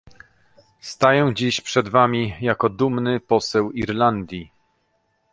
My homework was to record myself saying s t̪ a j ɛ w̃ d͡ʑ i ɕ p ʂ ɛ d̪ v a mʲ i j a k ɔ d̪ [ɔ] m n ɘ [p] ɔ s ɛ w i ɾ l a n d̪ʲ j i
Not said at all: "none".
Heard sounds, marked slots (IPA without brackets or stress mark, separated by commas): u, p